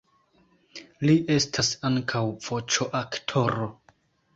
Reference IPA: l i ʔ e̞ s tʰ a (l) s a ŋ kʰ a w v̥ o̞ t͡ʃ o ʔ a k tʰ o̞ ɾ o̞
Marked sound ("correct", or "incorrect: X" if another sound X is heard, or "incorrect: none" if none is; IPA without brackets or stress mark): incorrect: none